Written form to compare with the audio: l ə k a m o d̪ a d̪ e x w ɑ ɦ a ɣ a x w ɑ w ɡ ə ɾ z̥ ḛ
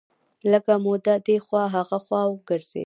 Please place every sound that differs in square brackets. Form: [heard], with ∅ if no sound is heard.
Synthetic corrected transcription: l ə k a m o d̪ a d̪ e x w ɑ ɦ a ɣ a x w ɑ w ɡ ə ɾ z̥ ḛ